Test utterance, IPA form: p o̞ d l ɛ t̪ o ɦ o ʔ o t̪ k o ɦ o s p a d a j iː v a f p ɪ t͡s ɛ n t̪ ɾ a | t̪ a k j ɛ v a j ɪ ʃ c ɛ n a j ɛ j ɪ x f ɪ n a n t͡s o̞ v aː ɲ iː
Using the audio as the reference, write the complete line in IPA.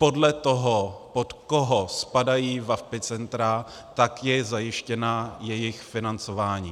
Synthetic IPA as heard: p o̞ d l ɛ t̪ o ɦ o p o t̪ k o ɦ o s p a d a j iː v a f p ɪ t͡s ɛ n t̪ ɾ a | t̪ a k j ɛ z a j ɪ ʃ c ɛ n a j ɛ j ɪ x f ɪ n a n t͡s o̞ v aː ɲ iː